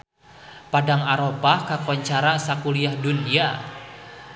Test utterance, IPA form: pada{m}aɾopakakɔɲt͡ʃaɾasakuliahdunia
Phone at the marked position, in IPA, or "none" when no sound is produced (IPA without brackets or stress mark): ŋ